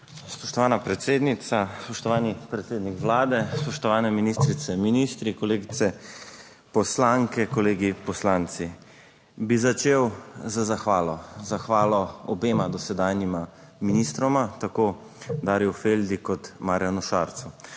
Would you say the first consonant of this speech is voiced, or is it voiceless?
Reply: voiceless